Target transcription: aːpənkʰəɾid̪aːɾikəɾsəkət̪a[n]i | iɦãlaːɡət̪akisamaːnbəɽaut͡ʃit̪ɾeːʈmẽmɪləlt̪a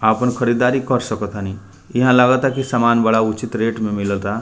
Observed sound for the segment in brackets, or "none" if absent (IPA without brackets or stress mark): n